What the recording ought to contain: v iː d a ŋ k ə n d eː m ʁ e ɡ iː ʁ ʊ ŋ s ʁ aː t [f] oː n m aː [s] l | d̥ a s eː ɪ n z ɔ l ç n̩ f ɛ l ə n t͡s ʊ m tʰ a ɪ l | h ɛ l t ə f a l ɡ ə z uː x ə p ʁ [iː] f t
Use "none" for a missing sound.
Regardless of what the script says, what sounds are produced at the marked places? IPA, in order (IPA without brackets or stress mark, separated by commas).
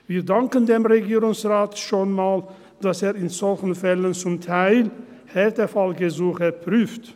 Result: ʃ, none, yː